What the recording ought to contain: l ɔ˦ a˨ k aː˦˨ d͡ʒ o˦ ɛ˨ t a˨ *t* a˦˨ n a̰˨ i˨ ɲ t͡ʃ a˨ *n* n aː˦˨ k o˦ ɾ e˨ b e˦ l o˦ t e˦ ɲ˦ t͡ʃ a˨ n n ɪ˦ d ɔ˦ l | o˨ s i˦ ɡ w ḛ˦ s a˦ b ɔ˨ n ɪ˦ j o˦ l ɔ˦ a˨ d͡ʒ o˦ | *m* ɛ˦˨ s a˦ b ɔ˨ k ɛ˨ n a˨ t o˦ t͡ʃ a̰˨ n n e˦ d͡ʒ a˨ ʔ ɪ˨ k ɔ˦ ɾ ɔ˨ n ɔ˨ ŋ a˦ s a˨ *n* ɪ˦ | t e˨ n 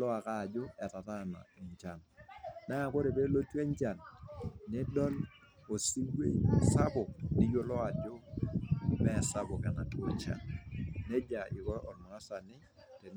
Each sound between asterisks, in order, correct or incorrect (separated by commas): correct, correct, correct, correct